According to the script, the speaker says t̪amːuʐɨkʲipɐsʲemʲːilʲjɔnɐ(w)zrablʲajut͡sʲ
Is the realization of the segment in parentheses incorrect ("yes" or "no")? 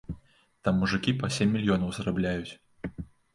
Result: no